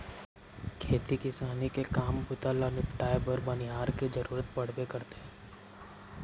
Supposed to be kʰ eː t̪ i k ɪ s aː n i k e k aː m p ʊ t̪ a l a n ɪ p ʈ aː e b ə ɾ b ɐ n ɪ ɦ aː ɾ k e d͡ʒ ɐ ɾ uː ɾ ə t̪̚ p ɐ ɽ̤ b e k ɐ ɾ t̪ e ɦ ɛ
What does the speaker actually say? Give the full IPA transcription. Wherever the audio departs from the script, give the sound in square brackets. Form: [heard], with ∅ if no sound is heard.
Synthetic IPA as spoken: kʰ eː t̪ i k ɪ s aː n i k e k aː m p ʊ t̪ a l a n ɪ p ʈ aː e b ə ɾ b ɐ n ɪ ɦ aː ɾ k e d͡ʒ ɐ ɾ uː ɾ ə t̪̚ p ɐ ɽ̤ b e k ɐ ɾ t̪ e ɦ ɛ